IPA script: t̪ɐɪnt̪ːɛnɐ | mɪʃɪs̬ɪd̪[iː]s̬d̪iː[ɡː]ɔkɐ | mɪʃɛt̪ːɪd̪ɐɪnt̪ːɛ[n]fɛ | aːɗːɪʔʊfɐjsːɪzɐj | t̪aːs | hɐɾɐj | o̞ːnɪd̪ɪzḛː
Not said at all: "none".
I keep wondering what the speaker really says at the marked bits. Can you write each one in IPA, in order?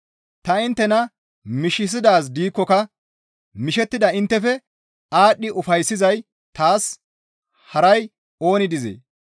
aː, kː, none

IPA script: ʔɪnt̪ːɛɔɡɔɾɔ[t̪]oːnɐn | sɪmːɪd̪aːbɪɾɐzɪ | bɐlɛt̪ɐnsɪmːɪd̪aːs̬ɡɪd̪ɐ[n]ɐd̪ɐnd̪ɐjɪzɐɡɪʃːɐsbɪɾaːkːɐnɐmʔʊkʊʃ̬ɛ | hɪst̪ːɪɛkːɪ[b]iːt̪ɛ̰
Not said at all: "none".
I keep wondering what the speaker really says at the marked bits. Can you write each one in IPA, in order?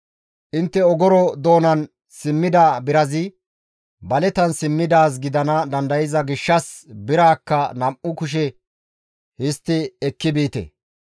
d̪, n, b

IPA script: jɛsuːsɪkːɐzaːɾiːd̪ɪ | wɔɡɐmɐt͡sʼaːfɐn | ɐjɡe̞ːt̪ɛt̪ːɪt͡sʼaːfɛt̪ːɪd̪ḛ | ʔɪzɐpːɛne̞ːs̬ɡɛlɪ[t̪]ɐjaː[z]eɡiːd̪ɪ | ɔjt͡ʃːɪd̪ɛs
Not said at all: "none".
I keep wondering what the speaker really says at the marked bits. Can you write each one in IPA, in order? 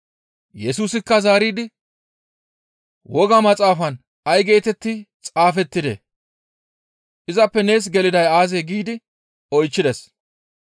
d̪, z

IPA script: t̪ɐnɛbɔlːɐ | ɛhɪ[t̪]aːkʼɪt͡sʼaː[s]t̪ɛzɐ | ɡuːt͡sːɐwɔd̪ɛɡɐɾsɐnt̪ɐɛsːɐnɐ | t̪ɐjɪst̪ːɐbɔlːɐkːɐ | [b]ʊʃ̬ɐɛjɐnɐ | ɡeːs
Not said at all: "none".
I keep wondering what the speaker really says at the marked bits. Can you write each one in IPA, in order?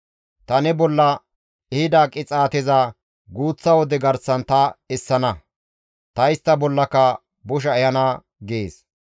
d̪, none, b

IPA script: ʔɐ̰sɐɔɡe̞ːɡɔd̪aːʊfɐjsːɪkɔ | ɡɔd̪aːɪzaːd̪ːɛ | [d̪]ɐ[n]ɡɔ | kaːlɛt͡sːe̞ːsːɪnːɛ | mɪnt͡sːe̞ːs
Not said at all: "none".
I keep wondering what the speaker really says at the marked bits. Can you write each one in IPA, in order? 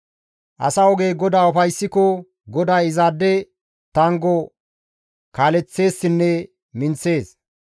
t̪, ŋ

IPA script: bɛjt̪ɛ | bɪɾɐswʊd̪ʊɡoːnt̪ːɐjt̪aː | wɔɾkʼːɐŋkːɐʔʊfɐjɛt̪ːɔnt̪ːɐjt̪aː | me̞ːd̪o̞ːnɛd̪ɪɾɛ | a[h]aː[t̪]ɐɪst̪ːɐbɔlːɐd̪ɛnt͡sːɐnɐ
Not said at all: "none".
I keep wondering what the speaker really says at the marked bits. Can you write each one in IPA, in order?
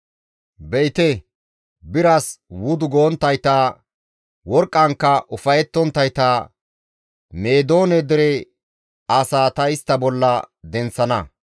s, t̪

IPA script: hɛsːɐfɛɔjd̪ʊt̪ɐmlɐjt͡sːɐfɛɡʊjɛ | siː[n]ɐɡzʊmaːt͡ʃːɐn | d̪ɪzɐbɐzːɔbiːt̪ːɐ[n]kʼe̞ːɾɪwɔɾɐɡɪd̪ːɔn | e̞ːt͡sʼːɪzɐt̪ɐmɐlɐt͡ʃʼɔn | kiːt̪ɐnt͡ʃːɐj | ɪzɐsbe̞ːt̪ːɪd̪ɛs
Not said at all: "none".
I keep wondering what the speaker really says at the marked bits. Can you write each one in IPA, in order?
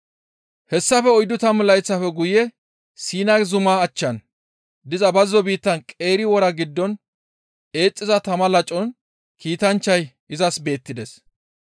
n, n

